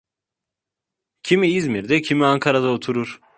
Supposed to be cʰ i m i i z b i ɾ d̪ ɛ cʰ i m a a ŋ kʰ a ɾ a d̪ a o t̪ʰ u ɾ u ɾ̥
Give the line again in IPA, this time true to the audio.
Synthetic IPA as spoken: cʰ i m i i z m i ɾ d̪ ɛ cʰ i m i a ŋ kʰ a ɾ a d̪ a o t̪ʰ u ɾ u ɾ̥